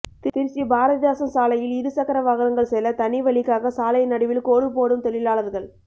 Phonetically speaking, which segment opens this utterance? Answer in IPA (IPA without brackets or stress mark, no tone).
t̪